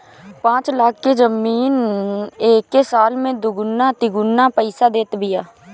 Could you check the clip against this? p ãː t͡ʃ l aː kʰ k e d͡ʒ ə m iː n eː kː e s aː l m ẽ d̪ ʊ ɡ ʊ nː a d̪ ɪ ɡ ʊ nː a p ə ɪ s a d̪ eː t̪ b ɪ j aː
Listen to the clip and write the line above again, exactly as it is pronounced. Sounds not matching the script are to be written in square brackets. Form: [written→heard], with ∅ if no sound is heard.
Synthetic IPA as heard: p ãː t͡ʃ l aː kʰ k e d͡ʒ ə m iː n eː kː e s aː l m ẽ d̪ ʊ ɡ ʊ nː a [d̪→t̪] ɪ ɡ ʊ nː a p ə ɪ s a d̪ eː t̪ b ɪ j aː